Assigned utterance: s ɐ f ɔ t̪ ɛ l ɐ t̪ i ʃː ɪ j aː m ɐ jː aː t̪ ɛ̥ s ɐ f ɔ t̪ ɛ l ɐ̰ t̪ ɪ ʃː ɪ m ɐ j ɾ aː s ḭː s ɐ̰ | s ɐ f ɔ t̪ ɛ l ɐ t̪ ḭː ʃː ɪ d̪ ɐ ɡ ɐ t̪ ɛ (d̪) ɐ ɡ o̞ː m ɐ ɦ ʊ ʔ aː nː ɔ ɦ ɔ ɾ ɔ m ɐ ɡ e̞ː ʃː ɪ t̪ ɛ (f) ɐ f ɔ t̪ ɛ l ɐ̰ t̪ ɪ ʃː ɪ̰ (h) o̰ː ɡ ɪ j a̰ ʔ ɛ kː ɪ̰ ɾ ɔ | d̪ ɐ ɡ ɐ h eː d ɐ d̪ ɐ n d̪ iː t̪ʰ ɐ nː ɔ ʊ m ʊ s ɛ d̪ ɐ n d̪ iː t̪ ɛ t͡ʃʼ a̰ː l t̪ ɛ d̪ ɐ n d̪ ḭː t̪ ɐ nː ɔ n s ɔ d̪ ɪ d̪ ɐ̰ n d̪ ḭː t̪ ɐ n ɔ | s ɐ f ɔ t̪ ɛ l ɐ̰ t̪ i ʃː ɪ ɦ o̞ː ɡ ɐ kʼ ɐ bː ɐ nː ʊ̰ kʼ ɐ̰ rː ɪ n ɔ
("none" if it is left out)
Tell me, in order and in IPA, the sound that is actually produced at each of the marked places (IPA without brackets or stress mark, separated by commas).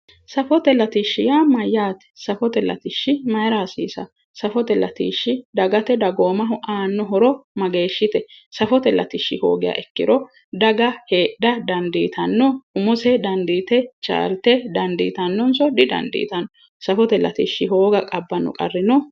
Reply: d̪, s, h